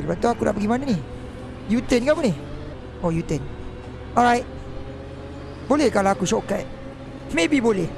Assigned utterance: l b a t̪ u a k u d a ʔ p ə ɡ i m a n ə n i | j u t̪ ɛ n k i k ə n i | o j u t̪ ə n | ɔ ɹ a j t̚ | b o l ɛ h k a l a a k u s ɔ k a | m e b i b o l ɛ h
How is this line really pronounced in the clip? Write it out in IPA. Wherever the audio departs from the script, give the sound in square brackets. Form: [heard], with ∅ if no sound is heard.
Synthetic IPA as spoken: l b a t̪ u a k u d a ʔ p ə ɡ i m a n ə n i | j u t̪ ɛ n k [a] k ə n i | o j u t̪ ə n | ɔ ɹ a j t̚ | b o l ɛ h k a l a a k u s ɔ k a | m e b i b o l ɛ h